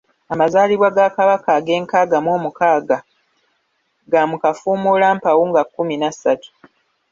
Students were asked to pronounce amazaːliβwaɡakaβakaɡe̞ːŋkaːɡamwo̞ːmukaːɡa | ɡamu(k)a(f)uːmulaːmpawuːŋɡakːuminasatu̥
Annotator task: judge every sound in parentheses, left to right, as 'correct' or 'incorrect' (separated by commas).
correct, correct